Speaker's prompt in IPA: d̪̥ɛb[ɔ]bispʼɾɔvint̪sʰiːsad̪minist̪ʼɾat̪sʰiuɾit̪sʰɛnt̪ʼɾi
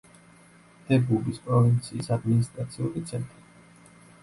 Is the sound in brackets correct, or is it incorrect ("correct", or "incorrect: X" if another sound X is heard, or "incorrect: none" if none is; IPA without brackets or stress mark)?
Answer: incorrect: u